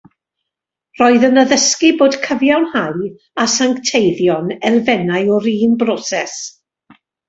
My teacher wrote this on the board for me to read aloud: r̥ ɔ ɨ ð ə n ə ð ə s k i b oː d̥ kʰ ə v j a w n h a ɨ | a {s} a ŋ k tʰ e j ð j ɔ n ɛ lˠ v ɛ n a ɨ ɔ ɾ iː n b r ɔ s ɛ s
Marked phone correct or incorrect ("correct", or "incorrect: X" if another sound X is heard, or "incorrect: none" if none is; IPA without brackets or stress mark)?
correct